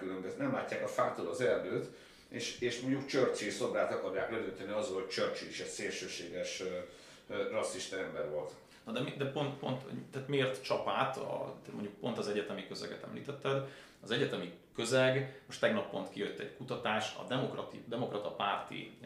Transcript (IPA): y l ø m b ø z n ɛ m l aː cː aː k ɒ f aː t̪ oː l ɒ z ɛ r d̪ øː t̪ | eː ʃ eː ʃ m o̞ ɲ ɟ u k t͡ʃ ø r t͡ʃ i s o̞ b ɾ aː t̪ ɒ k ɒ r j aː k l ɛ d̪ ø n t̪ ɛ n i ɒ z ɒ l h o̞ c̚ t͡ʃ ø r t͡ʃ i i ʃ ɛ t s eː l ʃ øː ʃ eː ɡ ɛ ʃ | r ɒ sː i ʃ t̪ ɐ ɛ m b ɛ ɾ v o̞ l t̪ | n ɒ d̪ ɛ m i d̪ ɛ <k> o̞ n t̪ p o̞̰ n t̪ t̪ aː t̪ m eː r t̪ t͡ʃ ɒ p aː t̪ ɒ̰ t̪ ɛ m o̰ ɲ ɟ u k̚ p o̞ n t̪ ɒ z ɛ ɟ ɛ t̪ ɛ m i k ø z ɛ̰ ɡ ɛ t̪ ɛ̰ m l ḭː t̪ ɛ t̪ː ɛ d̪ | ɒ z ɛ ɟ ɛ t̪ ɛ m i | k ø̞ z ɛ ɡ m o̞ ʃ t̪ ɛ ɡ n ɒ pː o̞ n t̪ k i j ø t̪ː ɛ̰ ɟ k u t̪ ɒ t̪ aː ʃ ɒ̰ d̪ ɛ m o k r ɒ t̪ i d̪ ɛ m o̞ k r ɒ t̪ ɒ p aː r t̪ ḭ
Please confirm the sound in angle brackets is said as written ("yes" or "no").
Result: no